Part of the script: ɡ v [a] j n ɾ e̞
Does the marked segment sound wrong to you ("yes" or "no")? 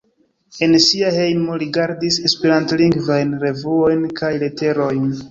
no